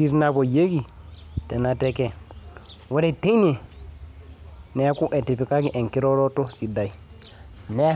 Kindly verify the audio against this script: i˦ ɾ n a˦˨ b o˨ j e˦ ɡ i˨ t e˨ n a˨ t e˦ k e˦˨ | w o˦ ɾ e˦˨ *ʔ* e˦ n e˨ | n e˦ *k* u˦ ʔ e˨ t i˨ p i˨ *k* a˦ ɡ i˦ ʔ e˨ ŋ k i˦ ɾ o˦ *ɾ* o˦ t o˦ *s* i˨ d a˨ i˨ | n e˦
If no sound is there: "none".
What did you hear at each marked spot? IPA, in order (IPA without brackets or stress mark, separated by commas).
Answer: t, k, k, ɾ, s